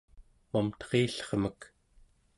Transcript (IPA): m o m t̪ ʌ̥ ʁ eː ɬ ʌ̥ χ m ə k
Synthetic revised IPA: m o m t̪ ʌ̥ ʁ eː ɬ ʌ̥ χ m ə k